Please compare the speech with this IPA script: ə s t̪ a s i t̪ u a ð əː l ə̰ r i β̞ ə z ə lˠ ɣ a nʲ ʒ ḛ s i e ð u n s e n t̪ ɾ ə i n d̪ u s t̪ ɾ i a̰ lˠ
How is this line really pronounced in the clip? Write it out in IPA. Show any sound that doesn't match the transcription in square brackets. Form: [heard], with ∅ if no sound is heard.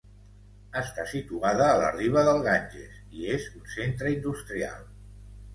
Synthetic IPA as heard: ə s t̪ a s i t̪ u a ð əː l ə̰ r i β̞ ə [ð] ə lˠ ɣ a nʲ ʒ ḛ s i e [z] u n s e n t̪ ɾ ə i n d̪ u s t̪ ɾ i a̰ lˠ